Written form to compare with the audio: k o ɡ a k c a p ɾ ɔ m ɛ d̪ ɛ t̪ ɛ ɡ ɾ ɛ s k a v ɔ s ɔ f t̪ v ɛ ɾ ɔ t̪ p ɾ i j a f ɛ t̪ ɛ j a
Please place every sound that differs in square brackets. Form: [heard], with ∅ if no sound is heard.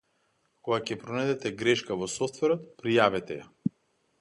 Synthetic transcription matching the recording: k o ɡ a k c [ɛ] p ɾ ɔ [n] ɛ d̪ ɛ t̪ ɛ ɡ ɾ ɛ [ʃ] k a v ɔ s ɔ f t̪ v ɛ ɾ ɔ t̪ p ɾ i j a [v] ɛ t̪ ɛ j a